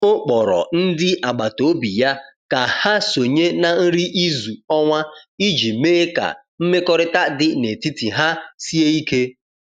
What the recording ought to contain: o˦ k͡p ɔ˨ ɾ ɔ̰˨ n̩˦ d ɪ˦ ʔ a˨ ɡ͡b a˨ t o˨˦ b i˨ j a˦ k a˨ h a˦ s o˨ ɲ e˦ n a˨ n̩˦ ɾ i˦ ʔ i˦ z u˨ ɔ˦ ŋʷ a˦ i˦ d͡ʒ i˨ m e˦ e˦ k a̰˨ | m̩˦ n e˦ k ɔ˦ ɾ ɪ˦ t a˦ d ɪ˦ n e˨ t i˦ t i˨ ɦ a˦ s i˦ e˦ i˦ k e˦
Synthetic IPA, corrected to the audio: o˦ k͡p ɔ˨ ɾ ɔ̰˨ n̩˦ d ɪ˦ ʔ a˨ ɡ͡b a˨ t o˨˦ b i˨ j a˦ k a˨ h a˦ s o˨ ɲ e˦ n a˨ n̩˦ ɾ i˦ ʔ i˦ z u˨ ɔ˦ ŋʷ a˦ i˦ d͡ʒ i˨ m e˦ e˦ k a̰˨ | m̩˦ m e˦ k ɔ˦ ɾ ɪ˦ t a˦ d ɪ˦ n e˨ t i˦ t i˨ ɦ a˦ s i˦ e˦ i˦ k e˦